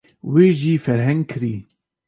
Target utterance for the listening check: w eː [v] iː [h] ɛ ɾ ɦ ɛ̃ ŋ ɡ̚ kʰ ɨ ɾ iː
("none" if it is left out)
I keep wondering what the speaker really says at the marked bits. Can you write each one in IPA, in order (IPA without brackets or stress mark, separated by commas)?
ʒ, f